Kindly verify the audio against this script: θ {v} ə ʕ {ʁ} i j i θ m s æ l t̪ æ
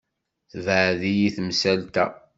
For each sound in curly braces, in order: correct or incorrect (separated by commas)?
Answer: correct, incorrect